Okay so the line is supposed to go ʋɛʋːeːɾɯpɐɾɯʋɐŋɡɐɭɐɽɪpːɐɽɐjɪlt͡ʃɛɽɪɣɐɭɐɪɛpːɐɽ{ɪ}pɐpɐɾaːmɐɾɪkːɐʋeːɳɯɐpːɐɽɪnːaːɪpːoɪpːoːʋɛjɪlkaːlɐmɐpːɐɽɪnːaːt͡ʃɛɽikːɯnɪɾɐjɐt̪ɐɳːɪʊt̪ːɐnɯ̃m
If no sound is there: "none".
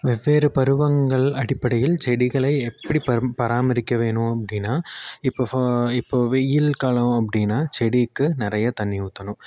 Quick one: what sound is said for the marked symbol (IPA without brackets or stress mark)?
i